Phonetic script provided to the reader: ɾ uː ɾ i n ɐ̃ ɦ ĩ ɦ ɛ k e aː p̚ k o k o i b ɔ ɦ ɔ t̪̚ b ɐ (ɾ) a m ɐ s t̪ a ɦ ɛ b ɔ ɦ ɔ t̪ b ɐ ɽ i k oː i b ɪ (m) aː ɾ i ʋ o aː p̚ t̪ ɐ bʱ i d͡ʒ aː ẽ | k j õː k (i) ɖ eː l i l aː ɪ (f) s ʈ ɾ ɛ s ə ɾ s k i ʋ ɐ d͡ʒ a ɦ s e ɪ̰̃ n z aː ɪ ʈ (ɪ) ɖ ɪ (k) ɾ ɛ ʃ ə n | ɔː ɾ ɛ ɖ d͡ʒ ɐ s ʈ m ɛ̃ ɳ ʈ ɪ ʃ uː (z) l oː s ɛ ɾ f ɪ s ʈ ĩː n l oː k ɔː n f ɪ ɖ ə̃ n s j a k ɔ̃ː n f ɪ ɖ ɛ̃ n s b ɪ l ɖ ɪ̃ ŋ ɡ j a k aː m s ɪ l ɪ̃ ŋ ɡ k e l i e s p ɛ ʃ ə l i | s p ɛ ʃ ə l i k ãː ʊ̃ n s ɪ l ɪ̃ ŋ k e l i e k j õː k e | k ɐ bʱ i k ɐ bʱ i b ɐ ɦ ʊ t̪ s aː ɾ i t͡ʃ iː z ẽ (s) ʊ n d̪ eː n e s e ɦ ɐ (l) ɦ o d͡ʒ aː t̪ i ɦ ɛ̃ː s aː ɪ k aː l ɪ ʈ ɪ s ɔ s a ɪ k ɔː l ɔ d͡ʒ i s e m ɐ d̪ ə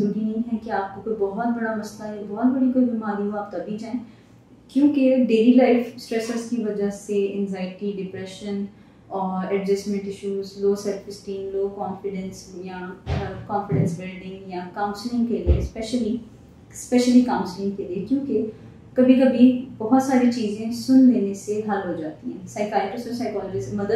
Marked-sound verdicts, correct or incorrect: incorrect: ɽ, correct, incorrect: e, correct, incorrect: i, incorrect: p, correct, correct, correct

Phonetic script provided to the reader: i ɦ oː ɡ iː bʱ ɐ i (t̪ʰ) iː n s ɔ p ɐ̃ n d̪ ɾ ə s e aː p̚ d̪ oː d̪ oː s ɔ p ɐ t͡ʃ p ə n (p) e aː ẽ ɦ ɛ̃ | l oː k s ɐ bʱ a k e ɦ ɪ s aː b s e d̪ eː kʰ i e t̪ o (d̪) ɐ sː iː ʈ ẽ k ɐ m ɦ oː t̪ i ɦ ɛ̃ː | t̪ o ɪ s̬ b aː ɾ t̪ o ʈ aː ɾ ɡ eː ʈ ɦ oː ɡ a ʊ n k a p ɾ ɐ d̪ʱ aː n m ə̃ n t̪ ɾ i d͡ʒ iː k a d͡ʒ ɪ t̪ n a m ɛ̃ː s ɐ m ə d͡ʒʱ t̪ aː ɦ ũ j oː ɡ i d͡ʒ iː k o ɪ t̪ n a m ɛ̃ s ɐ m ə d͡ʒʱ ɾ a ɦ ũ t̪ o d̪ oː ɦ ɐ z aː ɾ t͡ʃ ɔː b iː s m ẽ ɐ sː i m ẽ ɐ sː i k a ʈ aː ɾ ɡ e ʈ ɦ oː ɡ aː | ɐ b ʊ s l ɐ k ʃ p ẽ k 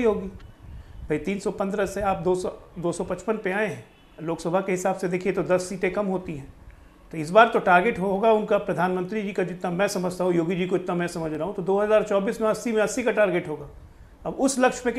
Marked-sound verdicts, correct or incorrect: incorrect: t̪, correct, correct

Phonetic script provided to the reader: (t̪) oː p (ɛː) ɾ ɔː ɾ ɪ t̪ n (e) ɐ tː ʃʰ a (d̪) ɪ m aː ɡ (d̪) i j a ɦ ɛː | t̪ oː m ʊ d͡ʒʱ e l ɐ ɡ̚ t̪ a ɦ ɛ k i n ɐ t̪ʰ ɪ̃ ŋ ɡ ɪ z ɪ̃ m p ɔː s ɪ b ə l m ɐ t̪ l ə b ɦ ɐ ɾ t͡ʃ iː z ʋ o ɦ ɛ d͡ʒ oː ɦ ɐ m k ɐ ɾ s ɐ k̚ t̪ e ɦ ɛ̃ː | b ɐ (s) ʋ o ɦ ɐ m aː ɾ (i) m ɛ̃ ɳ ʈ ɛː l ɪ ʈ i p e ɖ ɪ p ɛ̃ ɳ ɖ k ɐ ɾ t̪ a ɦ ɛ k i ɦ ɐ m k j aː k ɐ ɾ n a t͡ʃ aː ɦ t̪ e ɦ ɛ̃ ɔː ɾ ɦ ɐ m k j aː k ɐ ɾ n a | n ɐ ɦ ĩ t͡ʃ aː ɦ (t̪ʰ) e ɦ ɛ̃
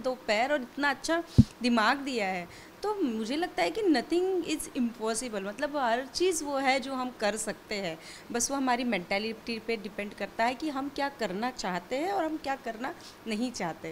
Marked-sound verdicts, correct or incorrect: incorrect: d̪, correct, incorrect: a, correct, correct, correct, correct, incorrect: t̪

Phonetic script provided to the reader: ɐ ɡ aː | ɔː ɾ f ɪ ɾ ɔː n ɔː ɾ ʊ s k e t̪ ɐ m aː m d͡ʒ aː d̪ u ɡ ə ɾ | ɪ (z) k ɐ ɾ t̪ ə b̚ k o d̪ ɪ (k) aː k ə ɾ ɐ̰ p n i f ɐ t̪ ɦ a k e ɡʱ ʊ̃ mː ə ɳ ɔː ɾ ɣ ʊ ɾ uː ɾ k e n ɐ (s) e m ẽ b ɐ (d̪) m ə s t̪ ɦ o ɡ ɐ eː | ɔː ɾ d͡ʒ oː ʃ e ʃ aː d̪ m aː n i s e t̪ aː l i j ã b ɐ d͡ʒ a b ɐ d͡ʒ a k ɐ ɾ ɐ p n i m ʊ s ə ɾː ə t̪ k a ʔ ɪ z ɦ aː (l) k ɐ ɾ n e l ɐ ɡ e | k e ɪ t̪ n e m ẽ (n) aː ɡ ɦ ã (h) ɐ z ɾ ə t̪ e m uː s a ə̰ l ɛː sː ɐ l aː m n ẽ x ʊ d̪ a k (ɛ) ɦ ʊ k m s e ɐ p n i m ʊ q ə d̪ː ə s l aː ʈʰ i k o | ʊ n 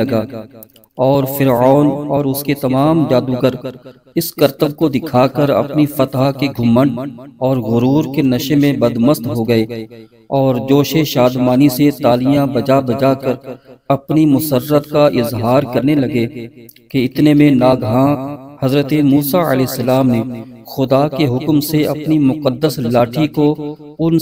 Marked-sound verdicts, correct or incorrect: incorrect: s, incorrect: kʰ, incorrect: ʃ, correct, incorrect: ɾ, correct, correct, incorrect: e

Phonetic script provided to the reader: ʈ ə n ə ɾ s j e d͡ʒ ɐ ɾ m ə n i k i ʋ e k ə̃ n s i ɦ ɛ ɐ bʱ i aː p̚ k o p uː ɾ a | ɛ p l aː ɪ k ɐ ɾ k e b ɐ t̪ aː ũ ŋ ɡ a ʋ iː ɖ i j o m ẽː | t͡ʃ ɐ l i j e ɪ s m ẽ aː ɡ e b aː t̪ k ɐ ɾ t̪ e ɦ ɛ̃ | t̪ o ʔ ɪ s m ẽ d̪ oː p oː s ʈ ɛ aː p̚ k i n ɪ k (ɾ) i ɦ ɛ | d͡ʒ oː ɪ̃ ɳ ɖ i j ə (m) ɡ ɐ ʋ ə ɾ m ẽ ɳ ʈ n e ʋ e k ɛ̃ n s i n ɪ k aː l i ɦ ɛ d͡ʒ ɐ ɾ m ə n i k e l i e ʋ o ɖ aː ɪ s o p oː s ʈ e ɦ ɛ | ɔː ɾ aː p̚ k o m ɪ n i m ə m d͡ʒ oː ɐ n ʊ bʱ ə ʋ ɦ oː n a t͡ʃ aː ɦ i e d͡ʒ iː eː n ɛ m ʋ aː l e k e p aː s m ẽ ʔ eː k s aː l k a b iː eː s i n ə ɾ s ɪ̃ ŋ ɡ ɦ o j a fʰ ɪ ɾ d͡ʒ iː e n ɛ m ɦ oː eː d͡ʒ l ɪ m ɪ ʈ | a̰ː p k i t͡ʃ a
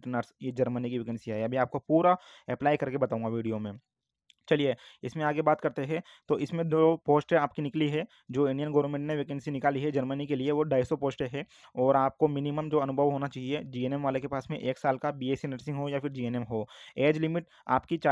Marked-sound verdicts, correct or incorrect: incorrect: l, incorrect: n

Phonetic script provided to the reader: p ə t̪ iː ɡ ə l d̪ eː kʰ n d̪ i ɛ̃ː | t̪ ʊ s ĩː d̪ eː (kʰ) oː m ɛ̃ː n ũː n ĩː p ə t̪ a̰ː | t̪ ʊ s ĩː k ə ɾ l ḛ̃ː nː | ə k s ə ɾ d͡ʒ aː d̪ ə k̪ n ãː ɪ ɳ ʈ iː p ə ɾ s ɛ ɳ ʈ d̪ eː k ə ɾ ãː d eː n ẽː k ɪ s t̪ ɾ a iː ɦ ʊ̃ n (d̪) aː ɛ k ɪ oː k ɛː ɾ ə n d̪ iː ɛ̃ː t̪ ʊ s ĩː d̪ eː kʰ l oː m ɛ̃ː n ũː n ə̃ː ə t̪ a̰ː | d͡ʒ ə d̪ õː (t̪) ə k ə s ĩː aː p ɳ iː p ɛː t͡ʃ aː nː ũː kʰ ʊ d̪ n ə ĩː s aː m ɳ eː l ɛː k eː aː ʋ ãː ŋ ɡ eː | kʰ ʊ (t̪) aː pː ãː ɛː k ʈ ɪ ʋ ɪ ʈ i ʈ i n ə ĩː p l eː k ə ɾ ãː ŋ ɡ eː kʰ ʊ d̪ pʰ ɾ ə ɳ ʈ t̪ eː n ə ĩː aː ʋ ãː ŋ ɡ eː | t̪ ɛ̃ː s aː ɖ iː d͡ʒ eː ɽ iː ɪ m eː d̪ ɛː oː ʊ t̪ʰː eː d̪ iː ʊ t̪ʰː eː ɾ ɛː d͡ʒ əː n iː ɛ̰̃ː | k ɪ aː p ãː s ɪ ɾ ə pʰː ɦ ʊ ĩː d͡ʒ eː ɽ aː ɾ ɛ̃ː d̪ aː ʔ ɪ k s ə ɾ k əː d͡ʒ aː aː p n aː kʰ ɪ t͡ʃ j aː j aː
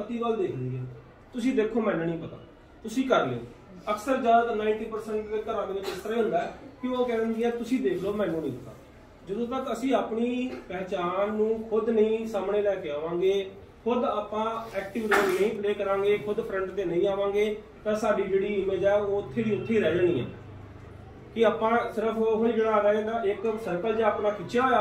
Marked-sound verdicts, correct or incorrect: correct, correct, correct, incorrect: d̪

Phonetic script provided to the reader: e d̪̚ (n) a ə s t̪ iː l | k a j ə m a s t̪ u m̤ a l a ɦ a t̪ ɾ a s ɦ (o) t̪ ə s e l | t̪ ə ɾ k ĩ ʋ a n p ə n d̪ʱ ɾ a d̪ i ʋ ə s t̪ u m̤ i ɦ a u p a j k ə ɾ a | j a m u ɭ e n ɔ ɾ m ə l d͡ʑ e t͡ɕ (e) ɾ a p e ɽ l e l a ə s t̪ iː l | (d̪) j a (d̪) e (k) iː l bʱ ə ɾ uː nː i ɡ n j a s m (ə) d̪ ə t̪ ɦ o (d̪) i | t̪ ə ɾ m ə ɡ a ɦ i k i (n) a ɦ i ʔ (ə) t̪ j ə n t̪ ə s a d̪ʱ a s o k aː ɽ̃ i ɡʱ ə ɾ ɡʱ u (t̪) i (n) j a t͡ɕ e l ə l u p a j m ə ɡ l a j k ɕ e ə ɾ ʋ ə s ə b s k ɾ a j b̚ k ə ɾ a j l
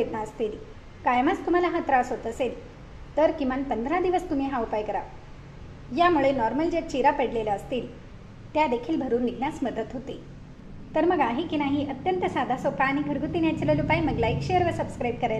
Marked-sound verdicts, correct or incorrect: correct, correct, incorrect: i, incorrect: t̪, correct, incorrect: kʰ, correct, incorrect: t̪, correct, correct, correct, correct

